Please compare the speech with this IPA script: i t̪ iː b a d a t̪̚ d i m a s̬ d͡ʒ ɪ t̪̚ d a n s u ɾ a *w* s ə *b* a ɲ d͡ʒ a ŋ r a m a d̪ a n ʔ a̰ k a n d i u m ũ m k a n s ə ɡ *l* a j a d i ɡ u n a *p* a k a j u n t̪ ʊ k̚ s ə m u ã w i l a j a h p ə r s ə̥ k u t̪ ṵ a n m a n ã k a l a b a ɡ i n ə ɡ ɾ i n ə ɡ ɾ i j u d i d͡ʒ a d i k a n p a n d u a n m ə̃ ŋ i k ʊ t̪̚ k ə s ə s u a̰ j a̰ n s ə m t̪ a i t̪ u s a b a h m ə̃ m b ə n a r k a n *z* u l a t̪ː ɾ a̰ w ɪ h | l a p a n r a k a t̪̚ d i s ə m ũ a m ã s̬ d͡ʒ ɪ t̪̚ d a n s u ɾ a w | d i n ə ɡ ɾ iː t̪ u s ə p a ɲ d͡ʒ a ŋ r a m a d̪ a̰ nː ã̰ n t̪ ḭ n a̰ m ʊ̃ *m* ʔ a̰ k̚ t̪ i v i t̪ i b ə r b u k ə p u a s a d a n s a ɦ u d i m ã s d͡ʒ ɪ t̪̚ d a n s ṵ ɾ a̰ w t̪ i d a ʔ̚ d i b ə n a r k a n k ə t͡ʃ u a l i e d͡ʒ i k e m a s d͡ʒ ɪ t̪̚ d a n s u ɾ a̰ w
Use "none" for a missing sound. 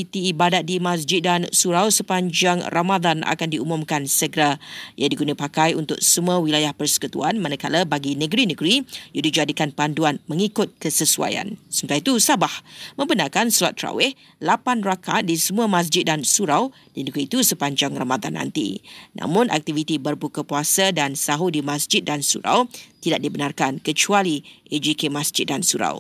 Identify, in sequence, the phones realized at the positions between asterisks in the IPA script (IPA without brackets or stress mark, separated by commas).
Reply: w, p, ɾ, p, s, n